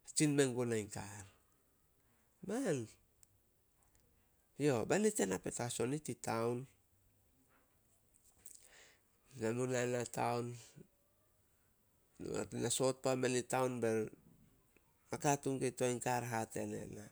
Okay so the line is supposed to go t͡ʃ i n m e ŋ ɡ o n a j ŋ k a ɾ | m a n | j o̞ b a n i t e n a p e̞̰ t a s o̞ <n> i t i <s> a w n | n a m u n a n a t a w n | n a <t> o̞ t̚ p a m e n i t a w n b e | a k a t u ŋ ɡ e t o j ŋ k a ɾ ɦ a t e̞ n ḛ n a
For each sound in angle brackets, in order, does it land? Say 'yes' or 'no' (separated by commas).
yes, no, no